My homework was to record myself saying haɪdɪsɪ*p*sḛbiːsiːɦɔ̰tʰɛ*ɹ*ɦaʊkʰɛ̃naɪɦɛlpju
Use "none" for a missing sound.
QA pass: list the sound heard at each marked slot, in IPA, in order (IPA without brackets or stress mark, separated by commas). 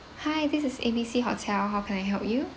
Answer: none, l